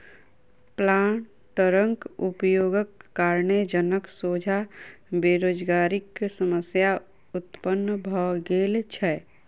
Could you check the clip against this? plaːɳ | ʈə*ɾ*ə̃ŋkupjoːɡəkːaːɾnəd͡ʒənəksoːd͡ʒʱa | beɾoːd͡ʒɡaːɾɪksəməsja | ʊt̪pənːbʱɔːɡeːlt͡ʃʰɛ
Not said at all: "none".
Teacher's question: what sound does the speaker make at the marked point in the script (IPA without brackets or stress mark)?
ɾ